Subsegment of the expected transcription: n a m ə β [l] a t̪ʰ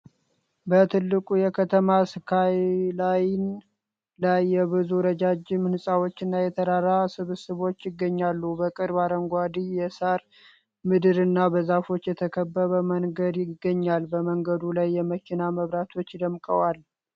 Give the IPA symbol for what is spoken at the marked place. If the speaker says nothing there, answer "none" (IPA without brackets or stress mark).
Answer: ɾ